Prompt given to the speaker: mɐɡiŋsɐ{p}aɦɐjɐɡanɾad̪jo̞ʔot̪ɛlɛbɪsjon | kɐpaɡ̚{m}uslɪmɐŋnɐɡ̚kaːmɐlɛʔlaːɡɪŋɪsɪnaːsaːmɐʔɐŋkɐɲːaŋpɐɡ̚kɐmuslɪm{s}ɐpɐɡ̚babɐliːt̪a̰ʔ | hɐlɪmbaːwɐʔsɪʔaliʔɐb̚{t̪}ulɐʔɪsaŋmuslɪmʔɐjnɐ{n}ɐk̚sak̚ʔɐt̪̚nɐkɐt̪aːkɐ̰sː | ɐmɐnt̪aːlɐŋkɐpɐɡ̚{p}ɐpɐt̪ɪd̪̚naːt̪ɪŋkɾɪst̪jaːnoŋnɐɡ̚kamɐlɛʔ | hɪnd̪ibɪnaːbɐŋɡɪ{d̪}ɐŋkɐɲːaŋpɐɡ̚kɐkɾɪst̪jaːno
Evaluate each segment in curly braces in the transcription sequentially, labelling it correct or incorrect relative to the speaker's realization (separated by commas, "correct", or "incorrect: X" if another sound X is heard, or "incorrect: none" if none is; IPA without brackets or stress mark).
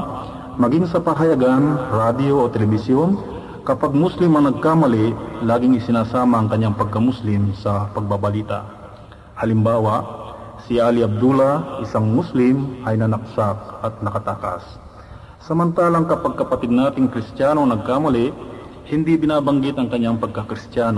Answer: correct, correct, correct, incorrect: d̪, correct, incorrect: k, incorrect: t̪